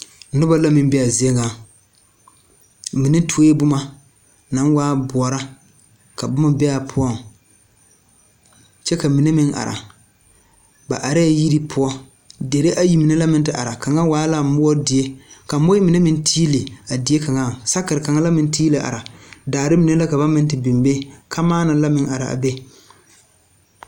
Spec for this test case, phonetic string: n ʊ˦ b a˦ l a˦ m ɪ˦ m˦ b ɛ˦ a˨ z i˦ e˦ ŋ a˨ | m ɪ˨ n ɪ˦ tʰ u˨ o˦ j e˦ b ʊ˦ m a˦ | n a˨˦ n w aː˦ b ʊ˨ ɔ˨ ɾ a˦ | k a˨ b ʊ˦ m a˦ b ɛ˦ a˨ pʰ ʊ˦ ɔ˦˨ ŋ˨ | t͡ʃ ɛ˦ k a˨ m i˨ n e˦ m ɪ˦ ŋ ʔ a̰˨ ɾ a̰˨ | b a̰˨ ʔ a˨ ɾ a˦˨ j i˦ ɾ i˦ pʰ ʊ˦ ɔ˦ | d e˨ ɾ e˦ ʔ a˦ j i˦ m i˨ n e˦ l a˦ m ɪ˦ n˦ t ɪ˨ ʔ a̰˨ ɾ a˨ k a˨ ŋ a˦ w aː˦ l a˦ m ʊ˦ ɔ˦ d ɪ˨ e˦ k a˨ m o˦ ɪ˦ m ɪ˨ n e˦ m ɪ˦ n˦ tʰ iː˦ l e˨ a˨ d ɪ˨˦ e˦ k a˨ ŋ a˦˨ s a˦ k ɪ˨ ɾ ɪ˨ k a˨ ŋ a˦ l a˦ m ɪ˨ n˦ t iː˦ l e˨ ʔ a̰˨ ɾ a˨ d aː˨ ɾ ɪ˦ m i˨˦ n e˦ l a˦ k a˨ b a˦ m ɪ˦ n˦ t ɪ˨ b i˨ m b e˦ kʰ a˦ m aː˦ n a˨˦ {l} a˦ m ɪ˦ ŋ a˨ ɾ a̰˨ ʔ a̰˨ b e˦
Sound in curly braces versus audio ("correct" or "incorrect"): correct